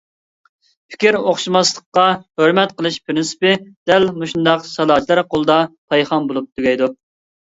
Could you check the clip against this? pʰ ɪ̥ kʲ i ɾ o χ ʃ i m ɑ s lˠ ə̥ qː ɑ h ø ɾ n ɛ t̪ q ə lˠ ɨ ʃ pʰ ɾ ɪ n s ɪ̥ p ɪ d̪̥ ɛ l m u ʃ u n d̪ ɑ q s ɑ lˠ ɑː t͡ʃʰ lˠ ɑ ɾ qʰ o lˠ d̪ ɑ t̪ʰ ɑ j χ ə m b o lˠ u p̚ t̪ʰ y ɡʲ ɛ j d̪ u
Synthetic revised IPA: pʰ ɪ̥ kʲ i ɾ o χ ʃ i m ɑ s lˠ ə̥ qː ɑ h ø ɾ m ɛ t̪ q ə lˠ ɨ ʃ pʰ ɾ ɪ n s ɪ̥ p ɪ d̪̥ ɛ l m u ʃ u n d̪ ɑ q s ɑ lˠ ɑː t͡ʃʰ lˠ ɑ ɾ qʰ o lˠ d̪ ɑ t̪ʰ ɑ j χ ɑ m b o lˠ u p̚ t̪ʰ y ɡʲ ɛ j d̪ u